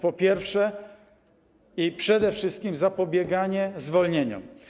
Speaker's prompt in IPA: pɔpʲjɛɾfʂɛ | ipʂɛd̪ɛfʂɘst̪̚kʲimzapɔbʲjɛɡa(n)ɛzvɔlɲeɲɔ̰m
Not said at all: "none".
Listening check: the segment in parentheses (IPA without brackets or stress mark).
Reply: ɲ